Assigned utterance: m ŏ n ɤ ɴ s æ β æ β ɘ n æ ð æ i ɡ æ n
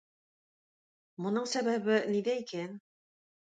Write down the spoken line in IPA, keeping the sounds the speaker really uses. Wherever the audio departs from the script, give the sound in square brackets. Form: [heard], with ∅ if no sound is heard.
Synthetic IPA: m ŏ n ɤ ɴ s æ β æ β ɘ n [i] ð æ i [k] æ n